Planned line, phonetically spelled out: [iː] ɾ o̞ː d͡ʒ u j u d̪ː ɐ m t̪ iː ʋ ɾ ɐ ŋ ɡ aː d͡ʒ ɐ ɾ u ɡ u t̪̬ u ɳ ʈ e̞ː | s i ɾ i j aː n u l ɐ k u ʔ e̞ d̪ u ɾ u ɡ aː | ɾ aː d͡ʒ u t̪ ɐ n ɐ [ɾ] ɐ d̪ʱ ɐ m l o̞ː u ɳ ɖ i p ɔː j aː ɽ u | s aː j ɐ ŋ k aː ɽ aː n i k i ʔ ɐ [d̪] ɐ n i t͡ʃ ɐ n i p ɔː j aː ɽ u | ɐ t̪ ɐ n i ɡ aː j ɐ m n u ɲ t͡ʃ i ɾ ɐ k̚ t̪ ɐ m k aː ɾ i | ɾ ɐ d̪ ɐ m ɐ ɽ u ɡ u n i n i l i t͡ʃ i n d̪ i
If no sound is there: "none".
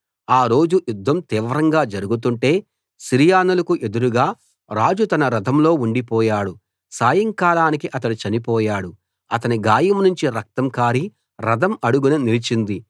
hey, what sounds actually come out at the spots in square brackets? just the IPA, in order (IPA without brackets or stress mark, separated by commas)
aː, ɾ, t̪